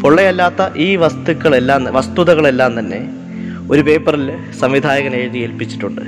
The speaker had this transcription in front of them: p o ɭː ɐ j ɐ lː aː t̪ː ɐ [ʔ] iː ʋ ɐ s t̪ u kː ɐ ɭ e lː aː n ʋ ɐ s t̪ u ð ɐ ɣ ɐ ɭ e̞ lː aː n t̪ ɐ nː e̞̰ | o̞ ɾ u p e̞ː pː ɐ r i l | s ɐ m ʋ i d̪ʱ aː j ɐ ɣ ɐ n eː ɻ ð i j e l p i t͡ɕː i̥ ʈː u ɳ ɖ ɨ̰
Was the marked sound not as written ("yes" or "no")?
no